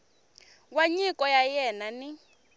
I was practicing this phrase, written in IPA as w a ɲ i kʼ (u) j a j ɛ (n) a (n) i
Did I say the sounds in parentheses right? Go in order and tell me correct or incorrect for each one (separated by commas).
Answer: incorrect, correct, correct